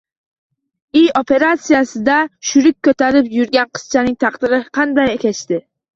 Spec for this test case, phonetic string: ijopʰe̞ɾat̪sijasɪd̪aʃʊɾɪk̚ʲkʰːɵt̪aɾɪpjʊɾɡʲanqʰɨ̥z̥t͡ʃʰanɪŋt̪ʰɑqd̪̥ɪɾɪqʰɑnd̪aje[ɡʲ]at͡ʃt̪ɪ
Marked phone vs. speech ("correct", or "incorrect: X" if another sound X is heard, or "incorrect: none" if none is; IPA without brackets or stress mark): incorrect: kʲ